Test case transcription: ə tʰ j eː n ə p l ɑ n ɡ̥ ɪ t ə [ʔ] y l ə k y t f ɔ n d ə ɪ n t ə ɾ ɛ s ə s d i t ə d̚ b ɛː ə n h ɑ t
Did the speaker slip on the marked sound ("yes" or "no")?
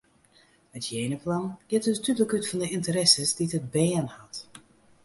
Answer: yes